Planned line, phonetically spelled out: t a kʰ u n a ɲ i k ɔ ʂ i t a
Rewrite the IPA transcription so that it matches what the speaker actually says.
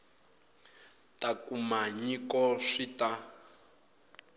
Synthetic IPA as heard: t a k u m a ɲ i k ɔ ʂ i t a